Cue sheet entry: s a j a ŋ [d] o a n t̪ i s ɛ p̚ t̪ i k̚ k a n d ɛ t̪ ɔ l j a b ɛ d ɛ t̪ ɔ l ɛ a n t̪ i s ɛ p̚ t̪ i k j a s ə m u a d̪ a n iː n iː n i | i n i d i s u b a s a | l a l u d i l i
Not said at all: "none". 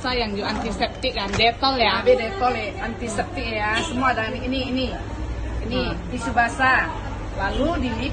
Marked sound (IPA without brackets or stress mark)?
d͡ʒ